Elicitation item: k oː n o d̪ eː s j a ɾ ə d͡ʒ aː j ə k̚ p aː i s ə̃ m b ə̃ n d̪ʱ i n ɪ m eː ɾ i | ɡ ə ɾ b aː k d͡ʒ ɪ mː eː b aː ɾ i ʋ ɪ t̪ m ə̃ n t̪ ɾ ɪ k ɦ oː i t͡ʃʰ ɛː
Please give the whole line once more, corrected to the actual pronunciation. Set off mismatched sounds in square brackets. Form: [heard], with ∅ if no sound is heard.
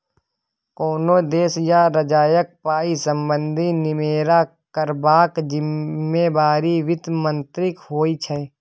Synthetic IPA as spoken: k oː n o d̪ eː s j a ɾ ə d͡ʒ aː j ə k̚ p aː i s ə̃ m b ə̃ n d̪ʱ i n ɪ m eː ɾ [a] | [k] ə ɾ b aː k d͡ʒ ɪ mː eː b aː ɾ i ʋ ɪ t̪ m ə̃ n t̪ ɾ ɪ k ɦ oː i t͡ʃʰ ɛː

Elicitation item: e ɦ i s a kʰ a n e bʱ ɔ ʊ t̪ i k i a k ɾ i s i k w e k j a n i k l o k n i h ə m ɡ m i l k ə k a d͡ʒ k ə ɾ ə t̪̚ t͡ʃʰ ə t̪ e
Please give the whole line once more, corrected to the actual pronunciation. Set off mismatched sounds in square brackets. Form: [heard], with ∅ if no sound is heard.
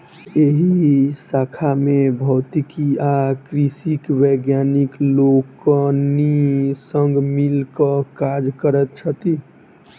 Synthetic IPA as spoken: e ɦ i s a kʰ a [m] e bʱ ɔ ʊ t̪ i k i a k ɾ i s i k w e [ɡ] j a n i k l o k n i [s] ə [ŋ] ɡ m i l k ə k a d͡ʒ k ə ɾ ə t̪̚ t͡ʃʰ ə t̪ [i]

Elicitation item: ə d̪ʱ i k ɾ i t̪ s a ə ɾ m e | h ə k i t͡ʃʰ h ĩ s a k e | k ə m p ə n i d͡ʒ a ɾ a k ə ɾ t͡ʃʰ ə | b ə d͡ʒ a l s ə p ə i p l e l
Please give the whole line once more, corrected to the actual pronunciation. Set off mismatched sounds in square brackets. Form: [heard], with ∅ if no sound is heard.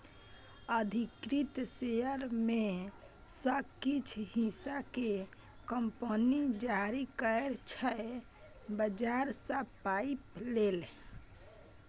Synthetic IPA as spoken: ə d̪ʱ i k ɾ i t̪ s [e] ə ɾ m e | [s] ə k i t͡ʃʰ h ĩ s a k e | k ə m p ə n i d͡ʒ a ɾ [i] k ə ɾ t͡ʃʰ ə | b ə d͡ʒ a [ɾ] s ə p [a] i p l e l

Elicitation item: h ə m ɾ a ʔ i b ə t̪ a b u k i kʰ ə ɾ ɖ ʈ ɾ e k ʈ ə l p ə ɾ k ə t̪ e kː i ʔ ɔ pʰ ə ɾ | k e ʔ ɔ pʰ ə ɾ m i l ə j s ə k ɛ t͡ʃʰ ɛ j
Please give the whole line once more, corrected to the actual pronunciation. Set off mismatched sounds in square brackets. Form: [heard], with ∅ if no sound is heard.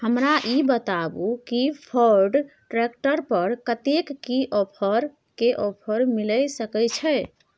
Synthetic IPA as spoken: h ə m ɾ a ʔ i b ə t̪ a b u k i [pʰ] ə ɾ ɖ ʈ ɾ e k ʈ ə [ɾ] p ə ɾ k ə t̪ e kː i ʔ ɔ pʰ ə ɾ | k e ʔ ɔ pʰ ə ɾ m i l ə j s ə k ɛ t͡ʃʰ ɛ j

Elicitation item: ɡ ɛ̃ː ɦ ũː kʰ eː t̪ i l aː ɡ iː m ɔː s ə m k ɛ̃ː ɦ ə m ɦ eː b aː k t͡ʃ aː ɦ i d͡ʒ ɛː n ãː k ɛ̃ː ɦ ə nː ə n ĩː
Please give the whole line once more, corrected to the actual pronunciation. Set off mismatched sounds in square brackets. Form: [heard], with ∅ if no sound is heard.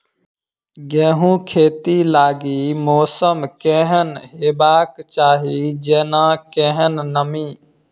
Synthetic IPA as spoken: ɡ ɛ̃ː ɦ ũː kʰ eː t̪ i l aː ɡ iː m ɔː s ə m k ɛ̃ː ɦ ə [n] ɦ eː b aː k t͡ʃ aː ɦ i d͡ʒ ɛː n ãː k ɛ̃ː ɦ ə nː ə [m] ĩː

